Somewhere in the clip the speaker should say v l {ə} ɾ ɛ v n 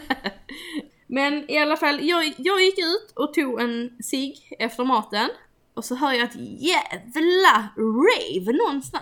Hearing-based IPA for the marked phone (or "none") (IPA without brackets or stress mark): a